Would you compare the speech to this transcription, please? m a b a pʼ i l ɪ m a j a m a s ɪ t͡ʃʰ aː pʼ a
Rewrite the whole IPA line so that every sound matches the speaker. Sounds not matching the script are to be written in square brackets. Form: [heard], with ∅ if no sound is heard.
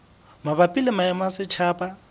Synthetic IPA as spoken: m a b a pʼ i l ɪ m a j a m a s ɪ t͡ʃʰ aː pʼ a